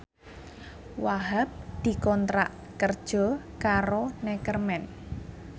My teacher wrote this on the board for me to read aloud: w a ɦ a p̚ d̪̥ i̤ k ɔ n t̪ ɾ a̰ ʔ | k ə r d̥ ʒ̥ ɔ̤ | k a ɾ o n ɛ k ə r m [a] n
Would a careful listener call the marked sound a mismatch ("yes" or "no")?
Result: yes